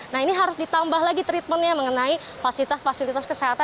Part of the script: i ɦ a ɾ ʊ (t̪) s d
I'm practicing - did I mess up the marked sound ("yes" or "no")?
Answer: yes